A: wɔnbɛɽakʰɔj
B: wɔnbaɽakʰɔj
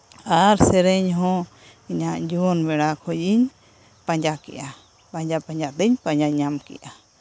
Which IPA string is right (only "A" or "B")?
A